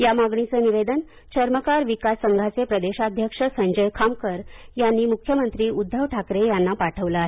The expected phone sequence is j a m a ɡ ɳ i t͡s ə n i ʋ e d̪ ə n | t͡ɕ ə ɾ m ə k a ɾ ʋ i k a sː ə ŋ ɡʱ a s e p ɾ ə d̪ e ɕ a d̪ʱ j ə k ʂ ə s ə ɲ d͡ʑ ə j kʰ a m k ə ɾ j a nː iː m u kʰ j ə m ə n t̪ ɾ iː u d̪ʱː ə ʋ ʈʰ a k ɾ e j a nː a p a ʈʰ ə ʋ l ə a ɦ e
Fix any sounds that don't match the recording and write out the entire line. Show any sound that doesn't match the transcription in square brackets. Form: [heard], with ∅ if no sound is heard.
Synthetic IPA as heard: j a m a ɡ ɳ i t͡s ə n i ʋ e d̪ ə n | t͡ɕ ə ɾ m ə k a ɾ ʋ i k a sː ə ŋ ɡʱ a [t͡s] e p ɾ ə d̪ e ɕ a d̪ʱ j ə k ʂ ə s ə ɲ d͡ʑ ə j kʰ a m k ə ɾ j a nː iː m u kʰ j ə m ə n t̪ ɾ iː u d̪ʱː ə ʋ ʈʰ a k ɾ e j a nː a p a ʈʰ ə ʋ l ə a ɦ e

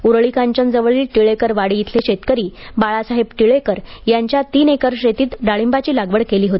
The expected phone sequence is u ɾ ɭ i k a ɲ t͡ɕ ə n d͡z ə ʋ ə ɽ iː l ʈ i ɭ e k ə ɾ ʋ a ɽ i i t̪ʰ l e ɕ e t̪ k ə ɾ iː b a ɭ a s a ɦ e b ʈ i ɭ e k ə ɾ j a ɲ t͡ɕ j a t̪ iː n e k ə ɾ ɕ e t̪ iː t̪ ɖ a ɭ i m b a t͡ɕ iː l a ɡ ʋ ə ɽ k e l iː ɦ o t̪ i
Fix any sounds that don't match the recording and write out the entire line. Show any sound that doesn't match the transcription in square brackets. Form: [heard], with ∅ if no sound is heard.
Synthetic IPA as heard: u ɾ ɭ i k a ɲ t͡ɕ ə n d͡z ə ʋ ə [ɭ] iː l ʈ i ɭ e k ə ɾ ʋ a ɽ i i t̪ʰ l e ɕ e t̪ k ə ɾ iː b a ɭ a s a ɦ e b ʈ i ɭ e k ə ɾ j a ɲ t͡ɕ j a t̪ iː n e k ə ɾ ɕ e t̪ iː t̪ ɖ a ɭ i m b a t͡ɕ iː l a ɡ ʋ ə ɽ k e l iː ɦ o t̪ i

